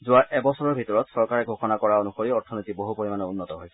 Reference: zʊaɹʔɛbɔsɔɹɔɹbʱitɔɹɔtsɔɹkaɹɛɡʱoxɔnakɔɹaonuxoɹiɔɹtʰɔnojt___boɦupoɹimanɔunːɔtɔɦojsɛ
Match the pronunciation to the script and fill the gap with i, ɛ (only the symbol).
i